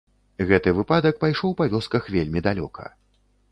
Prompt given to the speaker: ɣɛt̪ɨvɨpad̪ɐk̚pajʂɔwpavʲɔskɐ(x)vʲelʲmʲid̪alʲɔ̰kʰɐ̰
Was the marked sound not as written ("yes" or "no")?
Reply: no